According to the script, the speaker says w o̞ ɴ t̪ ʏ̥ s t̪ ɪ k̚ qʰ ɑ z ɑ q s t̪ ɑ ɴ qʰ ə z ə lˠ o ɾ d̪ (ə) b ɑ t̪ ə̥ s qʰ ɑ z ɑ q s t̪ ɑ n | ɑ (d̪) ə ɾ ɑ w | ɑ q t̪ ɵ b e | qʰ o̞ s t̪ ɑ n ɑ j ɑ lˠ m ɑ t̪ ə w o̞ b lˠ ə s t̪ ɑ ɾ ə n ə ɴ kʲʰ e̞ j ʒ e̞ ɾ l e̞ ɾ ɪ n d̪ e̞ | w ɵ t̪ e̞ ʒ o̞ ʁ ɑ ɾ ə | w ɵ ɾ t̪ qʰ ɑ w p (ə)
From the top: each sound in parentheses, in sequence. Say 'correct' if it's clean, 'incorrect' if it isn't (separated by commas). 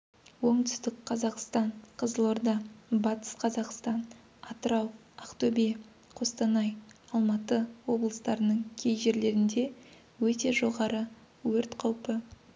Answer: incorrect, incorrect, correct